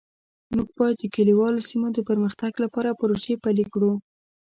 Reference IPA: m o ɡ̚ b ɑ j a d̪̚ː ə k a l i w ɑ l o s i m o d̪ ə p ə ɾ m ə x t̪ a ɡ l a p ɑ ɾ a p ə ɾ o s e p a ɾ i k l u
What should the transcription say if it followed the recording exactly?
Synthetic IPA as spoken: m u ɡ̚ b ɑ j a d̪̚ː ə k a l i w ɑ l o s i m o d̪ ə p ə ɾ m ə x t̪ a ɡ l a p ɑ ɾ a p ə ɾ o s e p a l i k ɽ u